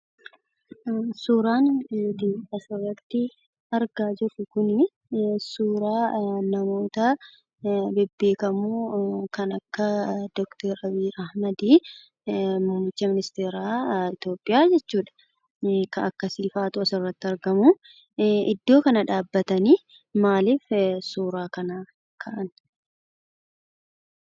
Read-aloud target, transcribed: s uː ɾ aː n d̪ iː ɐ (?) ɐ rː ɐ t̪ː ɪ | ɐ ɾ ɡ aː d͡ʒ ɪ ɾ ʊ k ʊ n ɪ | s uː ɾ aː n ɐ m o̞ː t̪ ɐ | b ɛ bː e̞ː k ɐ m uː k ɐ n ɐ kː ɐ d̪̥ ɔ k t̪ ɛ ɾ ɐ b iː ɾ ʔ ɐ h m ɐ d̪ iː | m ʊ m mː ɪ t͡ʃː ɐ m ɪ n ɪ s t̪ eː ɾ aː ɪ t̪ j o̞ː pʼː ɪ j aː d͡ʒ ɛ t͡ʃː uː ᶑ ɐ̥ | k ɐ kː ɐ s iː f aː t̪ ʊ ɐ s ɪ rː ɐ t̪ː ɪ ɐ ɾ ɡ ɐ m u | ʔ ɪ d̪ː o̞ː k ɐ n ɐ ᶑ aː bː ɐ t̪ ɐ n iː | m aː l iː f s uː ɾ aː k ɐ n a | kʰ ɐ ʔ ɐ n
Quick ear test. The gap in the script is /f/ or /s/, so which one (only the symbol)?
s